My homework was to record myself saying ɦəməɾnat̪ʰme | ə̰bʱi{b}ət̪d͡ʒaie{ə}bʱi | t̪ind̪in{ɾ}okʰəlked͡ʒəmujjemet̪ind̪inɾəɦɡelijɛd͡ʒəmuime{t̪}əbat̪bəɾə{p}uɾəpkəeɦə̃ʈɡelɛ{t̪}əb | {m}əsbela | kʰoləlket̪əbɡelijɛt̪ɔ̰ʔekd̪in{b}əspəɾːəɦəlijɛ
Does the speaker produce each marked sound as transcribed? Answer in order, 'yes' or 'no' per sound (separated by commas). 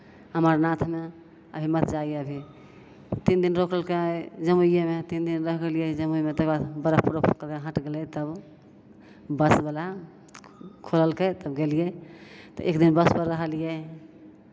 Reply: no, yes, yes, yes, yes, yes, no, yes